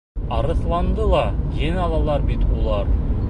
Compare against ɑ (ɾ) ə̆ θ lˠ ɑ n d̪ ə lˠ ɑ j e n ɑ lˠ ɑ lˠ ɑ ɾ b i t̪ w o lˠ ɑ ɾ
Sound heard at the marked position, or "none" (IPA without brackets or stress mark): ɾ